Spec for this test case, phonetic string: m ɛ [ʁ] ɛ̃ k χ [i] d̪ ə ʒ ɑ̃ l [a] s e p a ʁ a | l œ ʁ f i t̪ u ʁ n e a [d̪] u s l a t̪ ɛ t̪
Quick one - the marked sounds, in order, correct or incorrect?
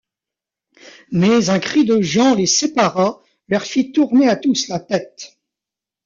incorrect: z, correct, incorrect: e, incorrect: t̪

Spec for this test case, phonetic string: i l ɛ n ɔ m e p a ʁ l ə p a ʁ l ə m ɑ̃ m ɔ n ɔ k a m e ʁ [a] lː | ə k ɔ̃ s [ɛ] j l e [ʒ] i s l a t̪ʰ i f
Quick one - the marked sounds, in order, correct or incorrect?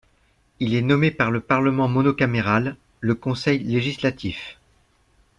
correct, correct, correct

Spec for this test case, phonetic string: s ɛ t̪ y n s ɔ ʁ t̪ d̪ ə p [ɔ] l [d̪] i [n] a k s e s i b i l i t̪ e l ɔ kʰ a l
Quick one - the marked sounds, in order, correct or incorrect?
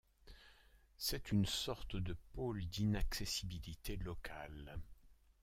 incorrect: o, correct, correct

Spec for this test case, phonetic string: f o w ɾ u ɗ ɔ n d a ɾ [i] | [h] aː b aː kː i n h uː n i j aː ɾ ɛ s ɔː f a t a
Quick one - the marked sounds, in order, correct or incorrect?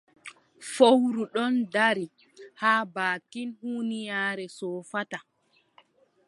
correct, correct

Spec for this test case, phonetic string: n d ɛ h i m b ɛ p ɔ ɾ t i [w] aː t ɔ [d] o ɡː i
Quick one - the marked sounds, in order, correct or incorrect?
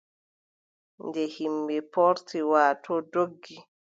correct, correct

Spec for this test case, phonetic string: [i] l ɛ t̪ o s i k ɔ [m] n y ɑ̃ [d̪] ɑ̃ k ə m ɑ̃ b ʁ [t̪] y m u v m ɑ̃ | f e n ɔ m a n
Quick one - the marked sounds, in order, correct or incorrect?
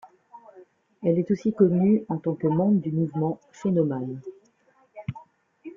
incorrect: ɛ, incorrect: none, incorrect: t̪, incorrect: d̪

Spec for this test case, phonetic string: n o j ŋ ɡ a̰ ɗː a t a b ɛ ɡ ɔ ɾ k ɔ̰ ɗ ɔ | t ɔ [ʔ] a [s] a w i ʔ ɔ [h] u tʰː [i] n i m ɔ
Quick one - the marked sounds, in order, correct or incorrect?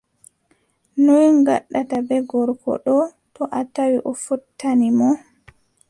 correct, incorrect: t, incorrect: f, incorrect: a

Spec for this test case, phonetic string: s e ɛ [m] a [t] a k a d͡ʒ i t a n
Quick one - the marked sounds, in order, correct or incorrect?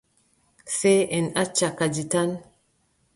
incorrect: n, incorrect: t͡ʃ

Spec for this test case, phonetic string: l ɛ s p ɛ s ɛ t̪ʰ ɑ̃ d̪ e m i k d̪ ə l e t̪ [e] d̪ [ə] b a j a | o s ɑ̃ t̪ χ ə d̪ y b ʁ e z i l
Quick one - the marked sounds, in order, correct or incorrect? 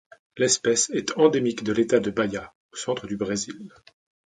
incorrect: a, correct

